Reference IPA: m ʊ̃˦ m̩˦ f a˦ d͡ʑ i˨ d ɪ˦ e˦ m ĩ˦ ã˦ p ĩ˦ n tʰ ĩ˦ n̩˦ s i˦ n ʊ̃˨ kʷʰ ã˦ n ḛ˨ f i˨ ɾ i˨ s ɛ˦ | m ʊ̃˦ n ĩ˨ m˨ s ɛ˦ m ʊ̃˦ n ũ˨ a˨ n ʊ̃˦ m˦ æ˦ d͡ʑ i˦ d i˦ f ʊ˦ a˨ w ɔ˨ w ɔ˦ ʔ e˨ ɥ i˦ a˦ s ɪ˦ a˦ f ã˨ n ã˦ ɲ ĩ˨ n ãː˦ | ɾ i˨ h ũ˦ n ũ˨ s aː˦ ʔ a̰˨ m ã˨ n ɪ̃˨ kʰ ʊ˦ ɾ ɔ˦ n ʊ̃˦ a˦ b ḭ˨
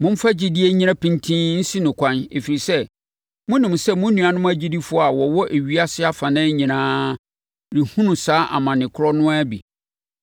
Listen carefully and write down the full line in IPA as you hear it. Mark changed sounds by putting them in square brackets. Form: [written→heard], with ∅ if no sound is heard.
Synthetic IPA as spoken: m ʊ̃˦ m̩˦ f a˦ d͡ʑ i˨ d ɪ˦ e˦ [m→ɲ] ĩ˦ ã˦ p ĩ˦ n tʰ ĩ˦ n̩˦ s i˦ n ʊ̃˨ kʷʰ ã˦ n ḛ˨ f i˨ ɾ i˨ s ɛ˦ | m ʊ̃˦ n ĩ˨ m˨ s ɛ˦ m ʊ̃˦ n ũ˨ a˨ n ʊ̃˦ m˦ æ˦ d͡ʑ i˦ d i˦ f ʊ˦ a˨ w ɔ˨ w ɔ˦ ʔ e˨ ɥ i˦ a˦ s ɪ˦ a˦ f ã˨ n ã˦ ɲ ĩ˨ n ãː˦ | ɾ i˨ h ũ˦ n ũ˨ s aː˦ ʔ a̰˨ m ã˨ n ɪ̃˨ kʰ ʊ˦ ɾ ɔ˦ n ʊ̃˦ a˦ b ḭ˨

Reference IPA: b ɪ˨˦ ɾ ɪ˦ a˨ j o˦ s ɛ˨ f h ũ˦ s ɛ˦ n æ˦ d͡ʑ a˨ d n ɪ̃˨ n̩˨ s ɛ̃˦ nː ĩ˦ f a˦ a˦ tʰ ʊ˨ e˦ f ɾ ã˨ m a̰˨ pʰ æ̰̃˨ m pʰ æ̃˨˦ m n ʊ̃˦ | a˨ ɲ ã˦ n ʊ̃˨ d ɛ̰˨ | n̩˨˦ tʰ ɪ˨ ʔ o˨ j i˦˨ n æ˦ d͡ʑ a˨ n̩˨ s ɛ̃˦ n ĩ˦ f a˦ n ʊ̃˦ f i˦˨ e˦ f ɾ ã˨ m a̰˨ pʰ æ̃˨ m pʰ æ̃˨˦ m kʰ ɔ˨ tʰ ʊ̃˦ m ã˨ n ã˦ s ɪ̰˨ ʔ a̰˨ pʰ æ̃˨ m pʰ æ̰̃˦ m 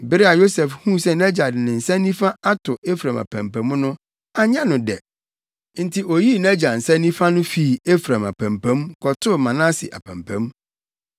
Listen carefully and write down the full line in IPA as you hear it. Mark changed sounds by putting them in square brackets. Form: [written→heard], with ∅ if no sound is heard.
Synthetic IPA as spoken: b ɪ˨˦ ɾ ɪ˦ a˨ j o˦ s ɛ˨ f h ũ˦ s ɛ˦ n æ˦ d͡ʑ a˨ d n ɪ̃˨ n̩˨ s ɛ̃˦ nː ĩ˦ f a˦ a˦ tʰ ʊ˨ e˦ f ɾ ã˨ m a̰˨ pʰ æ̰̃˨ m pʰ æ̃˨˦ m n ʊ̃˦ | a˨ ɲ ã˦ n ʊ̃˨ d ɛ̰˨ | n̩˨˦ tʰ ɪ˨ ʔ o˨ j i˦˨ n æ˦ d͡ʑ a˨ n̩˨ s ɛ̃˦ n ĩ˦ f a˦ n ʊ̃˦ f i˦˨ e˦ f ɾ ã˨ m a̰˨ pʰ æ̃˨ m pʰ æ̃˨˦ m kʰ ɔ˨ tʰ [ʊ̃˦→ʊ˦] m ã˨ n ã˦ s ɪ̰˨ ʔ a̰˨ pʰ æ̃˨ m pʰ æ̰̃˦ m

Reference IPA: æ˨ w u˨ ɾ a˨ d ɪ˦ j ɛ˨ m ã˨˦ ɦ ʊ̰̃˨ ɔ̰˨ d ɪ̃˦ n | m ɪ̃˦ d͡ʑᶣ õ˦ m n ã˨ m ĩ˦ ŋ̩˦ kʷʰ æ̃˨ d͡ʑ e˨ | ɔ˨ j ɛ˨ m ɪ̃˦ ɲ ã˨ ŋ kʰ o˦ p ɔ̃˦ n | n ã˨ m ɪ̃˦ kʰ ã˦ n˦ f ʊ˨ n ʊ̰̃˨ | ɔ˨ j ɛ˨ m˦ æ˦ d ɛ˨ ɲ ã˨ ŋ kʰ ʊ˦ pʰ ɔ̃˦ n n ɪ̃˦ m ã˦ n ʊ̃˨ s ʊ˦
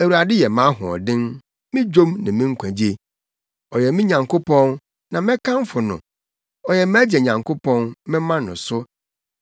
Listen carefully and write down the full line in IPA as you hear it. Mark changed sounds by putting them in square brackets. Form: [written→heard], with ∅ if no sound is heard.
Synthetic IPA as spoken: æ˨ w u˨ ɾ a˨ d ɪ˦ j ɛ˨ m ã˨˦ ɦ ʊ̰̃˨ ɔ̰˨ d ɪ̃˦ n | m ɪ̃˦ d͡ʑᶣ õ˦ m n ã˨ m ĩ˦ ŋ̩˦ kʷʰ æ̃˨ d͡ʑ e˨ | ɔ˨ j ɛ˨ m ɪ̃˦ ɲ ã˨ ŋ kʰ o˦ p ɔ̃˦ n | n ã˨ m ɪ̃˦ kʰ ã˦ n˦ f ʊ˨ n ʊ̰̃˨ | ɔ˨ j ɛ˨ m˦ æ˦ [d→d͡ʑ] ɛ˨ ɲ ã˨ ŋ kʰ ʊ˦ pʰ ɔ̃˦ n [n→m] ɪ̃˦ m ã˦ n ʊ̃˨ s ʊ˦

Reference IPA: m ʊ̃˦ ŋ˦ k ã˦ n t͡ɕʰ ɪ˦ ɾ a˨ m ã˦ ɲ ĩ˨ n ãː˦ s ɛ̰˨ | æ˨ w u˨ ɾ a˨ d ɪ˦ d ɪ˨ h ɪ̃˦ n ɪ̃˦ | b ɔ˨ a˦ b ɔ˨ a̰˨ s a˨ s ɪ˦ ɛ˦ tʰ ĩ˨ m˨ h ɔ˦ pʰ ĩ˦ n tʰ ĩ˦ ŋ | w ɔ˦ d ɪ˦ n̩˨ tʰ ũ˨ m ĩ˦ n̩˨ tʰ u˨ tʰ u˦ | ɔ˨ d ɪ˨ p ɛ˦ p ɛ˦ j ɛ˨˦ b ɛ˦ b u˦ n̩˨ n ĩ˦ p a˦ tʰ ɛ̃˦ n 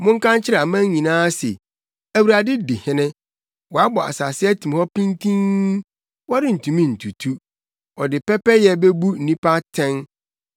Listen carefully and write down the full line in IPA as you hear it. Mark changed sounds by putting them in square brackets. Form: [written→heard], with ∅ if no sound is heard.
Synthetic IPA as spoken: m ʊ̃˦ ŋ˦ k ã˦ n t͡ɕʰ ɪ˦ ɾ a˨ m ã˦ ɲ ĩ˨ n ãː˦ s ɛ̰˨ | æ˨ w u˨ ɾ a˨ d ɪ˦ d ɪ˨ h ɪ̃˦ n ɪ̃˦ | [b→w] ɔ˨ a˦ b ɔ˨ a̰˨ s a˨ s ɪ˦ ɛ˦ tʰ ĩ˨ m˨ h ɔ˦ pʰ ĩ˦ n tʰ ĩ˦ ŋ | w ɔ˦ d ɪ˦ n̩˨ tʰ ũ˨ m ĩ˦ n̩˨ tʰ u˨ tʰ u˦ | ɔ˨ d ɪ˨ p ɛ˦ p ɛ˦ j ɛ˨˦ b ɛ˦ b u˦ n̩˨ n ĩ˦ p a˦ tʰ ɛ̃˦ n

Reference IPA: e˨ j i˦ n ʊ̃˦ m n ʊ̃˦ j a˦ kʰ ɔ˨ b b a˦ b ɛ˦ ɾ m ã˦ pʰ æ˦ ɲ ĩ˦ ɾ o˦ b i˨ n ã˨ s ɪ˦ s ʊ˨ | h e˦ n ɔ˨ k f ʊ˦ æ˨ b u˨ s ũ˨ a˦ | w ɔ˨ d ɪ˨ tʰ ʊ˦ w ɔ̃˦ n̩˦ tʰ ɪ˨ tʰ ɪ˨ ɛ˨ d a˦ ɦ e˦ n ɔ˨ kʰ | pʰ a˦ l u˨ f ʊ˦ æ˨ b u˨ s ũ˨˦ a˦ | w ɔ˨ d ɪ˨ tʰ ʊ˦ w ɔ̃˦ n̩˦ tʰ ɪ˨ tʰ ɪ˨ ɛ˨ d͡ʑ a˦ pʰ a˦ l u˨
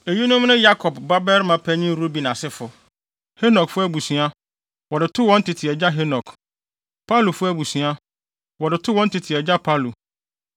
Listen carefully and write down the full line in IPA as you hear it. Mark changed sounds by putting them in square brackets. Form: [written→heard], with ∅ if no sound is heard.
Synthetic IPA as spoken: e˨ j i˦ n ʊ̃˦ m n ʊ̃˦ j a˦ kʰ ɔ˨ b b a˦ b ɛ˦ ɾ m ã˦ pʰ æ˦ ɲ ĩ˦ ɾ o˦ b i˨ n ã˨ s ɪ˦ [s→f] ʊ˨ | h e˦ n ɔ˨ k f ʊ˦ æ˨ b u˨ s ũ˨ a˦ | w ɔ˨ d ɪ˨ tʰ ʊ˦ w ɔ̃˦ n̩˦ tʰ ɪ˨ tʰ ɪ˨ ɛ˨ [d→d͡ʑ] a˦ ɦ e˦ n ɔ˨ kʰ | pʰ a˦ l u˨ f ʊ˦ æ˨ b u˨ s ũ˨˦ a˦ | w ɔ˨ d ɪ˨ tʰ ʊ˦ w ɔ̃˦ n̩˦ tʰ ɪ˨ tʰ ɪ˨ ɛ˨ d͡ʑ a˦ pʰ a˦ l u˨

